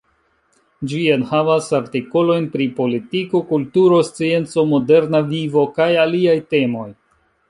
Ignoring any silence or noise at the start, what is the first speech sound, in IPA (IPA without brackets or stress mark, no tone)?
d͡ʒ